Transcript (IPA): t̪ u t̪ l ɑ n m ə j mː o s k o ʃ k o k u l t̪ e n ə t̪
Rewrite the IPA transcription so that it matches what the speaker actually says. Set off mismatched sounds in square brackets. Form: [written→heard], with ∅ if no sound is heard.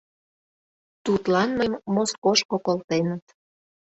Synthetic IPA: t̪ u t̪ l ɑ n m ə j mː o s k o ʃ k o k [u→o] l t̪ e n ə t̪